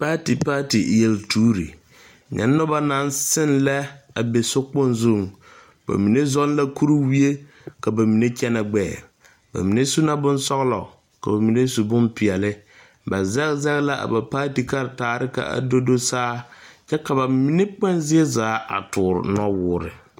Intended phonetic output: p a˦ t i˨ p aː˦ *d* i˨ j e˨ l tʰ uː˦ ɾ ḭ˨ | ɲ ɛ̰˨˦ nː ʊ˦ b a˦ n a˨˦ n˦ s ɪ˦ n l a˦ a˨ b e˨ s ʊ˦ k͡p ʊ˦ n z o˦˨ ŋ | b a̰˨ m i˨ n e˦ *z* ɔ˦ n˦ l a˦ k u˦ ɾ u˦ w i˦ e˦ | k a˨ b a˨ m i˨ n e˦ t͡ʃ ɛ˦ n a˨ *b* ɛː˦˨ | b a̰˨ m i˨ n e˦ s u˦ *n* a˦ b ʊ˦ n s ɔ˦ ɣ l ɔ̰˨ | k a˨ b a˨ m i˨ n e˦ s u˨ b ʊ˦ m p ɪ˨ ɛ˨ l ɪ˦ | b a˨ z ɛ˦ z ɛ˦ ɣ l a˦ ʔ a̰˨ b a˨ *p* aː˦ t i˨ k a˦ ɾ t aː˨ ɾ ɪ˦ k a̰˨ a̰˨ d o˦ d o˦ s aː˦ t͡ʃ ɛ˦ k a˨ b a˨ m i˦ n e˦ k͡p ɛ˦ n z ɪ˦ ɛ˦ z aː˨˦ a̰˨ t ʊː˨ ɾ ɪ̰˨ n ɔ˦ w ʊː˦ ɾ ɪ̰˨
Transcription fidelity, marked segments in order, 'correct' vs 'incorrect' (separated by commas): incorrect, correct, incorrect, correct, correct